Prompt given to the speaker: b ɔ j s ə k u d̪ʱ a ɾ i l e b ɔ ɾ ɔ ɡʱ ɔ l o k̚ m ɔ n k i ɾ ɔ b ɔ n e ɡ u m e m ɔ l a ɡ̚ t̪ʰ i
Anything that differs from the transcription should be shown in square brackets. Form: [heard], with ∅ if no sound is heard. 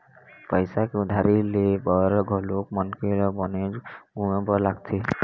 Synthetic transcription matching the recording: [p] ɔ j s [a] k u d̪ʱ a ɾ i l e b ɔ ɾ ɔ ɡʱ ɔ l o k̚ m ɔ n k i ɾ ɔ b ɔ n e ɡ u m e [b] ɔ l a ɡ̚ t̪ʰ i